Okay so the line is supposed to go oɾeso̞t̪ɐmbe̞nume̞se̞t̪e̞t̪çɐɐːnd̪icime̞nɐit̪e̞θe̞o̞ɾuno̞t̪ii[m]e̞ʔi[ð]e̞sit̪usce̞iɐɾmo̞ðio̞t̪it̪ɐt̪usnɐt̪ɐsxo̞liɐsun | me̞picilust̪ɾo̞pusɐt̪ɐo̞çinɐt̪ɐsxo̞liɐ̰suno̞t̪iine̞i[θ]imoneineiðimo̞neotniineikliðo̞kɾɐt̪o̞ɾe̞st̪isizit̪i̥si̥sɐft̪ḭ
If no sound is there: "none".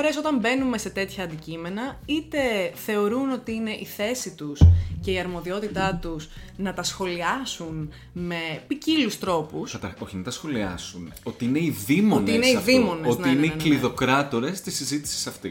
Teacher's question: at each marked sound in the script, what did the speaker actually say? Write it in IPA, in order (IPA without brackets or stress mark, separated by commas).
n, θ, ð